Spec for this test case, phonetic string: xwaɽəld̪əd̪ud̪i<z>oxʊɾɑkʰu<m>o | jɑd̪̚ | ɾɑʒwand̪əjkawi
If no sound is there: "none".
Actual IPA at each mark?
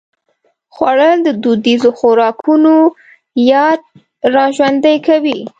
z, n

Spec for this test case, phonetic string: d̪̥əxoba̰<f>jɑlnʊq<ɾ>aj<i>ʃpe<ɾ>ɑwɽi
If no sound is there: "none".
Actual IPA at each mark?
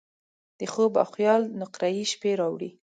x, ɾ, i, ɾ

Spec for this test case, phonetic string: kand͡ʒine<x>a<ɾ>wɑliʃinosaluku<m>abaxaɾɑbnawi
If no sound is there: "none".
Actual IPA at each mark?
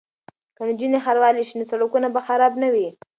x, ɾ, n

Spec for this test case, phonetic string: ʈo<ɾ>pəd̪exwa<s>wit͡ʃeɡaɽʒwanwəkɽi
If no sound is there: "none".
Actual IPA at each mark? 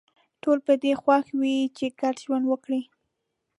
l, x

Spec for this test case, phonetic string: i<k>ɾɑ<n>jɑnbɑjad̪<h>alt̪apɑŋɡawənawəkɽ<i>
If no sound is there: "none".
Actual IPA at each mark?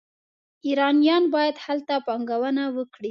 none, n, h, i

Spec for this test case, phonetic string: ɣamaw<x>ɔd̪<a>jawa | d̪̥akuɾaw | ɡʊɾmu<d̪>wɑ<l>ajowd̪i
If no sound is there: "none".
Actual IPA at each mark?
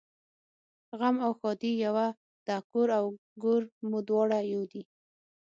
x, i, d̪, ɽ

